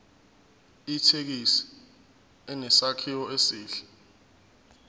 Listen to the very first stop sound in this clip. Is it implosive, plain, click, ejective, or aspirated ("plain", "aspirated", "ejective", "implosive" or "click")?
aspirated